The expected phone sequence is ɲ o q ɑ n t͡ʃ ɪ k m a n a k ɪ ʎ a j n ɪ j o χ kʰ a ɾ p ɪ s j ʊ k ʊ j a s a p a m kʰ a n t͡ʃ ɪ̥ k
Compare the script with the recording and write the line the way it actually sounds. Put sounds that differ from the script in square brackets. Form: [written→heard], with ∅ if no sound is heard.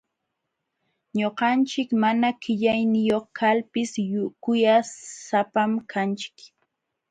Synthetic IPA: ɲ o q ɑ n t͡ʃ ɪ k m a n a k ɪ ʎ a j n ɪ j o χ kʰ a [ɾ→l] p ɪ s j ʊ k ʊ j a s a p a m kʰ a n t͡ʃ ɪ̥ k

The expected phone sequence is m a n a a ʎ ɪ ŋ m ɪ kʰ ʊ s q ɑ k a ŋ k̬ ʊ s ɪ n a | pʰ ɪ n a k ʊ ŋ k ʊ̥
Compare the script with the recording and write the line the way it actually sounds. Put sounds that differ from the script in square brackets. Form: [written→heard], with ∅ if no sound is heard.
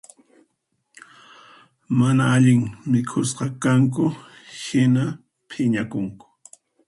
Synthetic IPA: m a n a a ʎ ɪ ŋ m ɪ kʰ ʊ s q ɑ k a ŋ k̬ ʊ [s→h] ɪ n a | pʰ ɪ [n→ɲ] a k ʊ ŋ k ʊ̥

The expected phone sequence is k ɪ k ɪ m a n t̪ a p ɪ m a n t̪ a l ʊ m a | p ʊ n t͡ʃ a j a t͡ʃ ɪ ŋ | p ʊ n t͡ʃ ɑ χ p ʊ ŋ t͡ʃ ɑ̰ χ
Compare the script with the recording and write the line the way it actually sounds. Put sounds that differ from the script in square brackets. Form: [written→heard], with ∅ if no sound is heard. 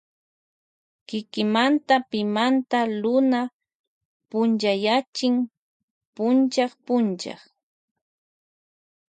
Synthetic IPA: k ɪ k ɪ m a n t̪ a p ɪ m a n t̪ a l ʊ [m→n] a | p ʊ n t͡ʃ a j a t͡ʃ ɪ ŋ | p ʊ n t͡ʃ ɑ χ p ʊ [ŋ→n] t͡ʃ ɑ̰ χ

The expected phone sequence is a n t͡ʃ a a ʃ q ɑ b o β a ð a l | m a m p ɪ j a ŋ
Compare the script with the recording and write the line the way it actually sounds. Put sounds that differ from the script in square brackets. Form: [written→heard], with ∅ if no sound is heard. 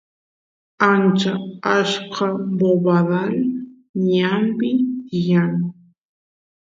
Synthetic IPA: a n t͡ʃ a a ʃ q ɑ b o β a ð a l | [m→ɲ] a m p ɪ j a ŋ

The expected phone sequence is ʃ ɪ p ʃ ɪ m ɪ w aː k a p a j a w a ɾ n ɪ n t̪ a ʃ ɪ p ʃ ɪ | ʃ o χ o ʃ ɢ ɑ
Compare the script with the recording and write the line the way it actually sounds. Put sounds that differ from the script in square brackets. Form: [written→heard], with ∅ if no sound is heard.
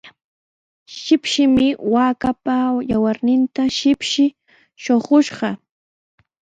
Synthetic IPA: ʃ ɪ p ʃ ɪ m ɪ w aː k a p a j a w a ɾ n ɪ n t̪ a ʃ ɪ p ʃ ɪ | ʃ o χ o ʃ ɢ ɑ

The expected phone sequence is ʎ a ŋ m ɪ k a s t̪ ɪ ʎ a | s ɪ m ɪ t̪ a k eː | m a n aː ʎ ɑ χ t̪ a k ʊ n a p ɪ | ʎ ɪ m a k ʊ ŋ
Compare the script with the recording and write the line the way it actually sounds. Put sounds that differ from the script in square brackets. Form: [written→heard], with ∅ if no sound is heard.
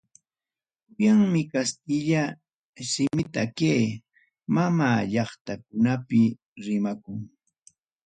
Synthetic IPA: [ʎ→j] a ŋ m ɪ k a s t̪ ɪ ʎ a | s ɪ m ɪ t̪ a k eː | m a [n→m] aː ʎ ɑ χ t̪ a k ʊ n a p ɪ | [ʎ→ɾ] ɪ m a k ʊ ŋ

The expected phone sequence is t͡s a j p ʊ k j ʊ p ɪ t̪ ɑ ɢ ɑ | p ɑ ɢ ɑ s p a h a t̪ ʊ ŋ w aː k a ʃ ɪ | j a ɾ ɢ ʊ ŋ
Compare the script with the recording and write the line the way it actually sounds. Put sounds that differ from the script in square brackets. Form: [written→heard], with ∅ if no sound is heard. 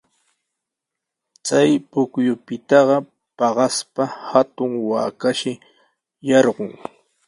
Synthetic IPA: t͡s a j p ʊ k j ʊ p ɪ t̪ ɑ ɢ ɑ | p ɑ ɢ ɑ s p a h a t̪ ʊ ŋ w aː k a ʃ ɪ | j [a→ɑ] ɾ ɢ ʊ ŋ

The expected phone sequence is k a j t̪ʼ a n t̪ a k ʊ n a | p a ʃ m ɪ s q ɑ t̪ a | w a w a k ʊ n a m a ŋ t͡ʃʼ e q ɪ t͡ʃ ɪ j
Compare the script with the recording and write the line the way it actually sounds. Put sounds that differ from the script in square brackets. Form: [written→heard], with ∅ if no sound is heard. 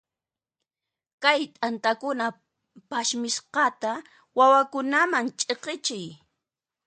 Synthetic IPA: k a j t̪ʼ a n t̪ a k ʊ n a | p a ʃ m ɪ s q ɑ t̪ a | w a w a k ʊ n a m a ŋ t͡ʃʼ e q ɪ t͡ʃ ɪ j

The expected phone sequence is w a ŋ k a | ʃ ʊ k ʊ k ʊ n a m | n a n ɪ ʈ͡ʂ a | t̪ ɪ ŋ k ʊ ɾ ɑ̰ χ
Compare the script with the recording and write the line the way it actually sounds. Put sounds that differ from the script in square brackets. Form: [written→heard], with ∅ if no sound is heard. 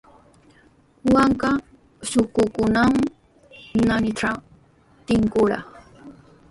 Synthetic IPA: w a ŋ k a | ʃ ʊ k ʊ k ʊ n a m | n a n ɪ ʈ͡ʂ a | t̪ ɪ ŋ k ʊ ɾ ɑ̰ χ

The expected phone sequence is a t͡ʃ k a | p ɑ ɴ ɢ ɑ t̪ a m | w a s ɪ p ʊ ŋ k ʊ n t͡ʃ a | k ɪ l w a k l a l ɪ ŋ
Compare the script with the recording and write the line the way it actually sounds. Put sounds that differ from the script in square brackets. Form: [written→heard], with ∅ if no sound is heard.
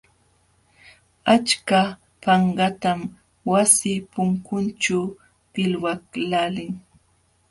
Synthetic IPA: a t͡ʃ k a | p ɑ ɴ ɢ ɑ t̪ a m | w a s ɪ p ʊ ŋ k ʊ n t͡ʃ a | [k→p] ɪ l w a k l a l ɪ ŋ

